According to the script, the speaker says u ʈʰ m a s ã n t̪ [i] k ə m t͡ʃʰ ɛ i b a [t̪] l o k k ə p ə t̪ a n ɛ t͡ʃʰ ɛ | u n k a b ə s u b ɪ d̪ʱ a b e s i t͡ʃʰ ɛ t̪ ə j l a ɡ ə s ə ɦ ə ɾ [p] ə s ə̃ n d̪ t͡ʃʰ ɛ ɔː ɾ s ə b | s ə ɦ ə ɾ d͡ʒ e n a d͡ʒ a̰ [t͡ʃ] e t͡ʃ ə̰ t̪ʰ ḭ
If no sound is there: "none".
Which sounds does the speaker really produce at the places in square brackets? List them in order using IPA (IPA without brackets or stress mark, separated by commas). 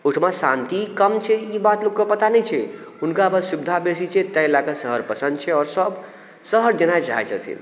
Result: i, t̪, p, none